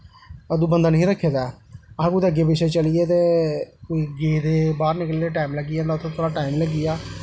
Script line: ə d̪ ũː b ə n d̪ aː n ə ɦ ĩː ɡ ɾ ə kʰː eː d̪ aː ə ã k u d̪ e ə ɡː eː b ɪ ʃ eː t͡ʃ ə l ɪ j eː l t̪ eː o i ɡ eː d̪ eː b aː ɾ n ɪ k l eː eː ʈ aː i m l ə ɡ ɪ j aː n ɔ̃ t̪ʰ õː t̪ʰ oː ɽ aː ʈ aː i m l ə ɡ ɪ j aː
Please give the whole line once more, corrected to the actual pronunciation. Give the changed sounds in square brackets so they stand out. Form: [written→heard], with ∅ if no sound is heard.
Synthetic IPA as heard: ə d̪ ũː b ə n d̪ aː n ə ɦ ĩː [ɡ→∅] ɾ ə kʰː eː d̪ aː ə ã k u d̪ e ə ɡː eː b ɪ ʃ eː t͡ʃ ə l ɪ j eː [l→∅] t̪ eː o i ɡ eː d̪ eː b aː ɾ n ɪ k l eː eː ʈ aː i m l ə ɡ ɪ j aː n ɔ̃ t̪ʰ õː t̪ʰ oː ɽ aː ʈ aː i m l ə ɡ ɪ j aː